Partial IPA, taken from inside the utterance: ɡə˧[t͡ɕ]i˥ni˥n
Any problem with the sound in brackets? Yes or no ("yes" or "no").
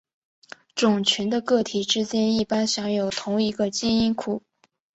no